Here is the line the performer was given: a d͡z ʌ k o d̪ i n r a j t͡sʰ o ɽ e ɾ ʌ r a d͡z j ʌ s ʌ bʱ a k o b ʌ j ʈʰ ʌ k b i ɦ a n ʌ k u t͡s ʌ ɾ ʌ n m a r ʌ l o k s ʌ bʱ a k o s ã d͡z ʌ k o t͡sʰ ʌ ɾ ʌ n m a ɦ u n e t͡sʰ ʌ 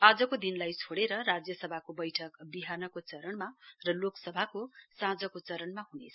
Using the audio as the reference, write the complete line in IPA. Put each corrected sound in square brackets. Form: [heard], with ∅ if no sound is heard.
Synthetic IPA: a d͡z ʌ k o d̪ i n [l] a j t͡sʰ o ɽ e ɾ ʌ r a d͡z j ʌ s ʌ bʱ a k o b ʌ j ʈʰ ʌ k b i ɦ a n ʌ k [o] t͡s ʌ ɾ ʌ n m a r ʌ l o k s ʌ bʱ a k o s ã d͡z ʌ k o [t͡s] ʌ ɾ ʌ n m a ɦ u n e t͡sʰ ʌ